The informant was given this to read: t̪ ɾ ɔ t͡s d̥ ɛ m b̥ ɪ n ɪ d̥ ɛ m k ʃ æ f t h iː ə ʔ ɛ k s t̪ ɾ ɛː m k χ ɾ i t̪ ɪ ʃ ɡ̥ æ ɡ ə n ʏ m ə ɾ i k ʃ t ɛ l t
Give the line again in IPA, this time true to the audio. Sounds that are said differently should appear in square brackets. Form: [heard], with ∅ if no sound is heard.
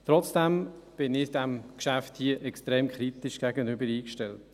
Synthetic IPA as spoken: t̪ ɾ ɔ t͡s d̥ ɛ m b̥ ɪ n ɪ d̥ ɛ m k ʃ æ f t h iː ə ʔ ɛ k s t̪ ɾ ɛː m k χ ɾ i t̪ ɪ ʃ ɡ̥ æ ɡ ə n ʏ [b] ə ɾ [iː] k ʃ t ɛ l t